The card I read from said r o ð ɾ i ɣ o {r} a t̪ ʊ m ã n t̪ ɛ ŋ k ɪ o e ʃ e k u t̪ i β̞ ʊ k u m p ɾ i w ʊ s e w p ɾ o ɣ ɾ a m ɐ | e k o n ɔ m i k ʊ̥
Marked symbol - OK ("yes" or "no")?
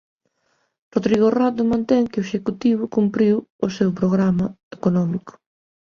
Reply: yes